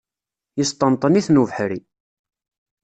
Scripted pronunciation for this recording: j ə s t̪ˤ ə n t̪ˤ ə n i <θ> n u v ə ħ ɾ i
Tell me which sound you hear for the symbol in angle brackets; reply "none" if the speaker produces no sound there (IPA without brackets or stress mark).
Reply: θ